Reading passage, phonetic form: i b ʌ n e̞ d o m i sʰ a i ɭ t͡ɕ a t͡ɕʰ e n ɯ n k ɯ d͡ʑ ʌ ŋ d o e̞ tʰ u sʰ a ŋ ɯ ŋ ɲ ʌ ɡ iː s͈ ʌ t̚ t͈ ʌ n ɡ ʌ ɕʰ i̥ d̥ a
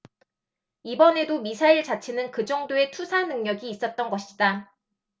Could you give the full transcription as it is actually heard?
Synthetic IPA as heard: i b ʌ n e̞ d o m i sʰ a i ɭ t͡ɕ a t͡ɕʰ e n ɯ n k ɯ d͡ʑ ʌ ŋ d o e̞ tʰ u sʰ a n ɯ ŋ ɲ ʌ ɡ iː s͈ ʌ t̚ t͈ ʌ n ɡ ʌ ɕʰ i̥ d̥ a